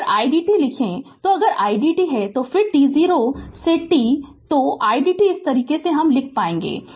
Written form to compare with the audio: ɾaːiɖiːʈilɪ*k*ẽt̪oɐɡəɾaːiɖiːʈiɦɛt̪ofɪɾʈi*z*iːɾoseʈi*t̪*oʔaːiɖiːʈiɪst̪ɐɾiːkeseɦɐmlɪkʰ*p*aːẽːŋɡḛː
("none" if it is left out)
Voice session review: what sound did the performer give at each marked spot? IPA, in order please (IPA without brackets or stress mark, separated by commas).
kʰ, z, t̪, p